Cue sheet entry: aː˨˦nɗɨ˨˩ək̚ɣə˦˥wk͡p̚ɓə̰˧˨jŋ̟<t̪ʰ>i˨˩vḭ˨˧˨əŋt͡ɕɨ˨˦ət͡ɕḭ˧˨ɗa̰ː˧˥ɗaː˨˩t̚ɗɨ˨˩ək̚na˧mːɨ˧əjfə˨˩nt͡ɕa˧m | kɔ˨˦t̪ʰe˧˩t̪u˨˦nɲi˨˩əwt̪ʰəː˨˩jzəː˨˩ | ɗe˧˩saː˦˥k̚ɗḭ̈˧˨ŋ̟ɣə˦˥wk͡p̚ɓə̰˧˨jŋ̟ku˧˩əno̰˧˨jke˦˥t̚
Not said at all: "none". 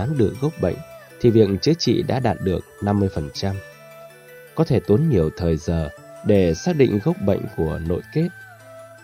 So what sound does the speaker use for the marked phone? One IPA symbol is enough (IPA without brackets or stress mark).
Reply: t̪ʰ